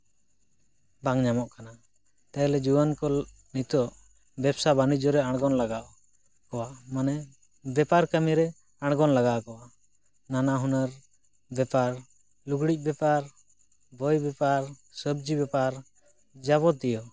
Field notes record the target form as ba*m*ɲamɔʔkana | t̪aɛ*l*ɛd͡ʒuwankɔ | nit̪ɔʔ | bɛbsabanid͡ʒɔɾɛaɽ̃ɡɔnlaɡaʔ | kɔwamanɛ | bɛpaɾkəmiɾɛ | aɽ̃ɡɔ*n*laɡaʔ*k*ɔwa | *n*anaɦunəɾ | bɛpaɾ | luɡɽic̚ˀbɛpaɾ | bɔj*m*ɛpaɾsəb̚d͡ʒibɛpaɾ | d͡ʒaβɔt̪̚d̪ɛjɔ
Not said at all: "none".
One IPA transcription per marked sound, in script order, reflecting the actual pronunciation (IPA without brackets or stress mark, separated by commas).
ŋ, l, n, k, n, b